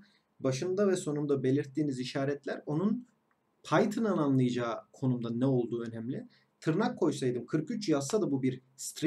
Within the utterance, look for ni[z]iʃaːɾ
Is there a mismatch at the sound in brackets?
no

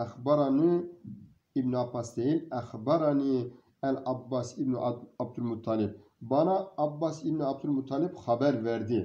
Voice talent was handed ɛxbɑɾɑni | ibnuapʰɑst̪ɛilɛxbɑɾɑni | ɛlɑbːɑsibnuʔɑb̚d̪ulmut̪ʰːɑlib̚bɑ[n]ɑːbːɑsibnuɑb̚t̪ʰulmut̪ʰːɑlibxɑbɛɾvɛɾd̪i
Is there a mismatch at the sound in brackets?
no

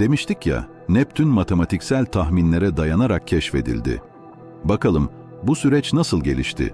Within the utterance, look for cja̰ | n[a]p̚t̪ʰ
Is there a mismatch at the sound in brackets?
yes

